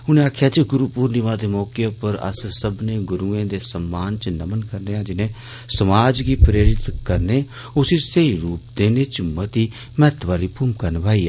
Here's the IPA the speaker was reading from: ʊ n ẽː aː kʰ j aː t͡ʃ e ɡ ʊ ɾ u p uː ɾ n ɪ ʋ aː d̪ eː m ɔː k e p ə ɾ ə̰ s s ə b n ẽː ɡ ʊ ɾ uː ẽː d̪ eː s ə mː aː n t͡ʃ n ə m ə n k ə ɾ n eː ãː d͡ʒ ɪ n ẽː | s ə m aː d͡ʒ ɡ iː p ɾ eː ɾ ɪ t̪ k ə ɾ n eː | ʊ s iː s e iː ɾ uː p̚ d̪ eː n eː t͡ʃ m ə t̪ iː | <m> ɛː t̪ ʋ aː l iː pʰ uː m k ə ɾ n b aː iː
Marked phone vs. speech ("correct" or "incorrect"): correct